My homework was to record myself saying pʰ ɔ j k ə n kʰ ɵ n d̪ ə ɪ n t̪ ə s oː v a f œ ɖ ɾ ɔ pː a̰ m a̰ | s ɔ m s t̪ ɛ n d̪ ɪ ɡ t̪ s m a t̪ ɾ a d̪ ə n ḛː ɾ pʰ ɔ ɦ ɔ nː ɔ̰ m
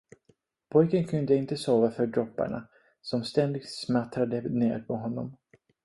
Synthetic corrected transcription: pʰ ɔ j k ə n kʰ ɵ n d̪ ə ɪ n t̪ ə s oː v a f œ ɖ ɾ ɔ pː a̰ ɳ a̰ | s ɔ m s t̪ ɛ n d̪ ɪ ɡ t̪ s m a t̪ ɾ a d̪ ə n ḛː ɾ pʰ ɔ ɦ ɔ nː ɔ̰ m